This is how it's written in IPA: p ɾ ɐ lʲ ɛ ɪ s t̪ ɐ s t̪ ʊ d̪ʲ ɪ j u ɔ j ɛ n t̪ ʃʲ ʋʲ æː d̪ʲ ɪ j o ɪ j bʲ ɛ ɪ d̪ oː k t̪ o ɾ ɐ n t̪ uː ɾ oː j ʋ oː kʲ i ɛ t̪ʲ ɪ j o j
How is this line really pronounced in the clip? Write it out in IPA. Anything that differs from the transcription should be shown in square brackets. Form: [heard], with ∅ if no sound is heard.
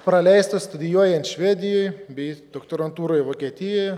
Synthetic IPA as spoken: p ɾ ɐ lʲ ɛ ɪ s t̪ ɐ s t̪ ʊ d̪ʲ ɪ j u ɔ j ɛ n t̪ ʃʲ ʋʲ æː d̪ʲ ɪ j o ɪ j bʲ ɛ ɪ d̪ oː k t̪ o ɾ ɐ n t̪ uː ɾ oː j ʋ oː kʲ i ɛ t̪ʲ ɪ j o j